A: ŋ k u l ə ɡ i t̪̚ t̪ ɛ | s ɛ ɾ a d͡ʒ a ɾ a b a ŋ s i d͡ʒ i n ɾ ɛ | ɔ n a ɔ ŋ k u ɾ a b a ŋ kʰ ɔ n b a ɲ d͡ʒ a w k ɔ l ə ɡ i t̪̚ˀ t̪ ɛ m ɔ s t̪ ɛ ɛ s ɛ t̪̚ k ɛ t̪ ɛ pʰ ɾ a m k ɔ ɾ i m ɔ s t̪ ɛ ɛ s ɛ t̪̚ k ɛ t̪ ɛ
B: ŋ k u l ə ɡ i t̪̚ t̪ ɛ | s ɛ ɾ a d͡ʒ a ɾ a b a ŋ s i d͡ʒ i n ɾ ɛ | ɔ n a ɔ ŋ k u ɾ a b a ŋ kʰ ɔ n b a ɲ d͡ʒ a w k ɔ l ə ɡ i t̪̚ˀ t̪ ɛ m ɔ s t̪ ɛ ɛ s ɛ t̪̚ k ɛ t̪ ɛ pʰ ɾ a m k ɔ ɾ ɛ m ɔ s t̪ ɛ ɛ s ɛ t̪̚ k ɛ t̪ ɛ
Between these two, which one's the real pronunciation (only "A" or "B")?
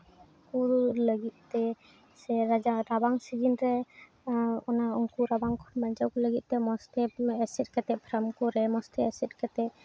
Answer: B